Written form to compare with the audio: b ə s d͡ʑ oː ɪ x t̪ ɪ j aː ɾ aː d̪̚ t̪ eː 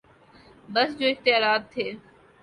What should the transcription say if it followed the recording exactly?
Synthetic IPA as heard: b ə s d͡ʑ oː ɪ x t̪ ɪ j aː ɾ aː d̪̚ t̪ʰ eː